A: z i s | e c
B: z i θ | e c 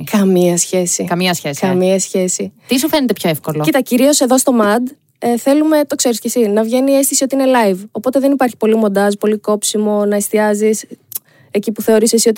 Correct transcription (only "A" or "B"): A